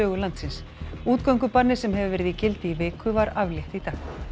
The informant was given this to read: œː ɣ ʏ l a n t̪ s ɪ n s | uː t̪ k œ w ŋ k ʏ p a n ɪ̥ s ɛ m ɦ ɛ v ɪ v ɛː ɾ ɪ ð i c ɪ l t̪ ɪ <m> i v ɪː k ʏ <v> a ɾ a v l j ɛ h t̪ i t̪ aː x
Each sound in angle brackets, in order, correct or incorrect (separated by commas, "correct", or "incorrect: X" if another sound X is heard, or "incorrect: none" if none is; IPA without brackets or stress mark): incorrect: none, correct